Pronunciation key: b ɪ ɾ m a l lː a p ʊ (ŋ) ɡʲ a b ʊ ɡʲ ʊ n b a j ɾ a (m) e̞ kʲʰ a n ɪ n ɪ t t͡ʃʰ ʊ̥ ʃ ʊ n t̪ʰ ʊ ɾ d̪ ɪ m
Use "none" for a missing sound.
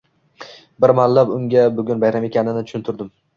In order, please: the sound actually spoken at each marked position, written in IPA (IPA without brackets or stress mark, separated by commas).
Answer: ŋ, m